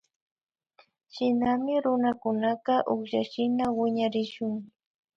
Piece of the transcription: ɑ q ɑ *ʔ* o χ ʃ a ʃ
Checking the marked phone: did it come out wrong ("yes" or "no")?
no